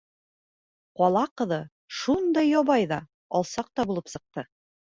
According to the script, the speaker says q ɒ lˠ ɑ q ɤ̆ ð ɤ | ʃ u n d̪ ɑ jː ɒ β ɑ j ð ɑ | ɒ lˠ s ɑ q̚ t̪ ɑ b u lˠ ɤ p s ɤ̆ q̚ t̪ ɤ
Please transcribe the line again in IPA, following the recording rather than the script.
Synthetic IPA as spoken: q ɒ lˠ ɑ q ɤ̆ ð ɤ | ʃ u n d̪ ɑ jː ɒ β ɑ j ð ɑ | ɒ lˠ s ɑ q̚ t̪ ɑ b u lˠ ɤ p s ɤ̆ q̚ t̪ ɤ